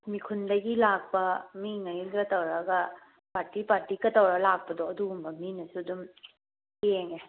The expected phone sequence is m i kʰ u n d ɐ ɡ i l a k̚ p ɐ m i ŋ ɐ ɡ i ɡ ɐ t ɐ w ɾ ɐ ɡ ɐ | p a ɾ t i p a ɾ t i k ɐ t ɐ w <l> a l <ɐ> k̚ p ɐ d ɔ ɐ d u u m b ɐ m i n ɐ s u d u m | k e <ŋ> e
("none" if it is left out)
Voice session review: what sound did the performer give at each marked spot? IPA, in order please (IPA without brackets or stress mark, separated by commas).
ɾ, a, ŋ